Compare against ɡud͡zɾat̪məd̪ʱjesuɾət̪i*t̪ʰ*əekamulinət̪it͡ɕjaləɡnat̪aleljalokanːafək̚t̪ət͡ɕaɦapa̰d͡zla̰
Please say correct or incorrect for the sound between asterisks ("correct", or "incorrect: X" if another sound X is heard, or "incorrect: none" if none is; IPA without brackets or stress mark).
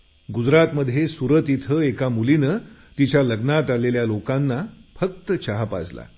correct